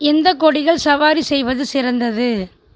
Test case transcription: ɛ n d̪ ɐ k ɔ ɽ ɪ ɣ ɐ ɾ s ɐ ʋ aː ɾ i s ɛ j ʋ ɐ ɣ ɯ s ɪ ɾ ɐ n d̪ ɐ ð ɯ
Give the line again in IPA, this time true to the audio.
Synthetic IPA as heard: ɛ n d̪ ɐ k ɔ ɽ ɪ ɣ ɐ ɭ s ɐ ʋ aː ɾ i s ɛ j ʋ ɐ ð ɯ s ɪ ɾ ɐ n d̪ ɐ ð ɯ